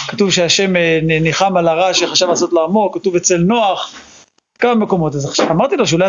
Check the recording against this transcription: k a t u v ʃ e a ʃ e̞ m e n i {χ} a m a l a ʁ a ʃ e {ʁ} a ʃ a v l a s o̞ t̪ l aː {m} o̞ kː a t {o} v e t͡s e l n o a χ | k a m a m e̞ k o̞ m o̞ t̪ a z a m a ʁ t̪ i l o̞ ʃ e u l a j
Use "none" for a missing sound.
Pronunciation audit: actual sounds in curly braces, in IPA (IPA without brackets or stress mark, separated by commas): χ, χ, m, u